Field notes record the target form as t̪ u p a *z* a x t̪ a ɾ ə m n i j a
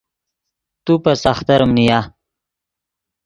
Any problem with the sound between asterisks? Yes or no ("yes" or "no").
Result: yes